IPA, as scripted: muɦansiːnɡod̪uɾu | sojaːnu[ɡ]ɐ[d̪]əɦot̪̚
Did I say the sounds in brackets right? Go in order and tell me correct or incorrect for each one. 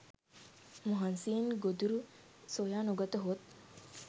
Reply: correct, incorrect

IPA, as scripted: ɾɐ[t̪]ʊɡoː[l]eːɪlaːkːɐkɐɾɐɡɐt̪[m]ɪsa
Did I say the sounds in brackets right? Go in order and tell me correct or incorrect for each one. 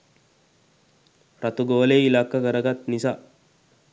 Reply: correct, correct, incorrect

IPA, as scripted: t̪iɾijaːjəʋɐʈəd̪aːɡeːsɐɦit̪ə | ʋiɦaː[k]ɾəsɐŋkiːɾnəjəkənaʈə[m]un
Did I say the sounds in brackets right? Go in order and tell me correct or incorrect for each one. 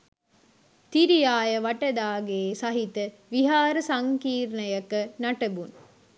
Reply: incorrect, incorrect

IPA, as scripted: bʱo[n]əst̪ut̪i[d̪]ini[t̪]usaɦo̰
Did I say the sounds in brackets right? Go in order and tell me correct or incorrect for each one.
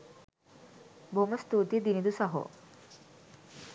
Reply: incorrect, correct, incorrect

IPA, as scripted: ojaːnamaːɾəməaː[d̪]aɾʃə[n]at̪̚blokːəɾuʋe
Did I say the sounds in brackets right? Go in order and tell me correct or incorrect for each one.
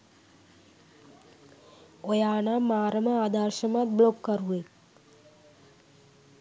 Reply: correct, incorrect

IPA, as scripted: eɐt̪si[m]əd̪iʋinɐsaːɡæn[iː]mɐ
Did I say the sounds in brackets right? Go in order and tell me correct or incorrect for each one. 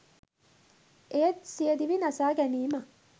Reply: incorrect, correct

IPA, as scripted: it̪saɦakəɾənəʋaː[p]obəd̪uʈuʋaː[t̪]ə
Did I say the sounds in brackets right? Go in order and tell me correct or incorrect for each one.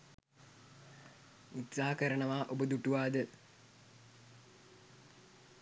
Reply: incorrect, incorrect

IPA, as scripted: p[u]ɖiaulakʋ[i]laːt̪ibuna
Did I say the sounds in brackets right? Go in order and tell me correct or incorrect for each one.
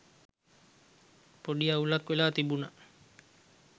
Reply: incorrect, incorrect

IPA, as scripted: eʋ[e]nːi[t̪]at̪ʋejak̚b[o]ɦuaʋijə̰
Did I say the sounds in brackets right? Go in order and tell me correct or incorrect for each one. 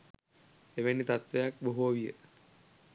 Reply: correct, correct, correct

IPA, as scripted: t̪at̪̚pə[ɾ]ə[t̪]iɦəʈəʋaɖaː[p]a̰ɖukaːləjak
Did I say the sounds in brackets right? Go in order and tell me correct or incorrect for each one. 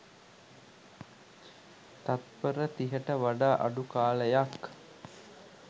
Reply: correct, correct, incorrect

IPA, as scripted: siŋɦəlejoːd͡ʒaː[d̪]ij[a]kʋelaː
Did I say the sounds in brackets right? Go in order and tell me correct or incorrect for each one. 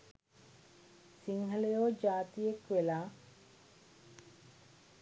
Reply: incorrect, incorrect

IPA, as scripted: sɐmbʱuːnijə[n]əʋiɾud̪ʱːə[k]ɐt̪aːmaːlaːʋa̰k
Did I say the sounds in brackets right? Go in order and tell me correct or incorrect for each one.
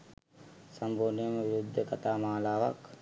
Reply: incorrect, correct

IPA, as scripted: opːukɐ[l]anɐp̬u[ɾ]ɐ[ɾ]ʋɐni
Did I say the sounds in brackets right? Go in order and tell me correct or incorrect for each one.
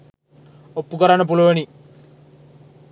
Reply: incorrect, incorrect, incorrect

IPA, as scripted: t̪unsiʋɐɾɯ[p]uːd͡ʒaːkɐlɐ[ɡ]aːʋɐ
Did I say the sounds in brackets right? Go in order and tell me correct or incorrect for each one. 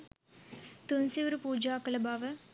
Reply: correct, incorrect

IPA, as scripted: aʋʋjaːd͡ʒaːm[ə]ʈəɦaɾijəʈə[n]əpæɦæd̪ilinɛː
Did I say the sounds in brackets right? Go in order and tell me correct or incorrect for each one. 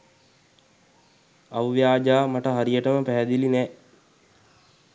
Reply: incorrect, incorrect

